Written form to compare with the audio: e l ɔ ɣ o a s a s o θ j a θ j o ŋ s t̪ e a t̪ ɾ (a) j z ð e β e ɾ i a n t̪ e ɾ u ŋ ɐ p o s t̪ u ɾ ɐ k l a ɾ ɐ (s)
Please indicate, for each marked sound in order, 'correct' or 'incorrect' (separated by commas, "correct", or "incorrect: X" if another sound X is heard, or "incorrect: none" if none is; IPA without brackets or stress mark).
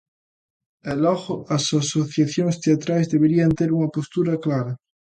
correct, incorrect: none